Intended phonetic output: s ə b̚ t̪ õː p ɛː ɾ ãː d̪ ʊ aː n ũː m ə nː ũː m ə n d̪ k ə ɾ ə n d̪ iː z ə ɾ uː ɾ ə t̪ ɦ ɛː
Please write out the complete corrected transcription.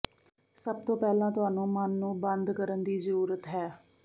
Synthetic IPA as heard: s ə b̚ t̪ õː p ɛː l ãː t̪ ʊ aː n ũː m ə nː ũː b ə n d̪ k ə ɾ ə n d̪ iː z ə ɾ uː ɾ ə t̪ ɦ ɛː